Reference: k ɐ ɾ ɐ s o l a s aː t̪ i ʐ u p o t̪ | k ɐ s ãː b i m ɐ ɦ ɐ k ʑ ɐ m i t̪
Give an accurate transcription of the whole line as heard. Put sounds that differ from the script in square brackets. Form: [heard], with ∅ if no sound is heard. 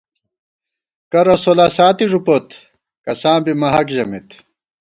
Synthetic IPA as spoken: k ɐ ɾ ɐ s o l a s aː t̪ i ʐ u p o t̪ | k ɐ s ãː b i m ɐ ɦ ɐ k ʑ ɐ m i t̪